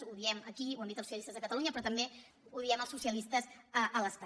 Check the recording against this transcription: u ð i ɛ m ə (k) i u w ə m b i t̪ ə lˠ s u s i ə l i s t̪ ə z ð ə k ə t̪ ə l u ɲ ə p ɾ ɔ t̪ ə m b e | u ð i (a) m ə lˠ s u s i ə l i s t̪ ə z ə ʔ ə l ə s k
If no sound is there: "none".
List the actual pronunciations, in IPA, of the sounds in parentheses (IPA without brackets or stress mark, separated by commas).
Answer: k, ɛ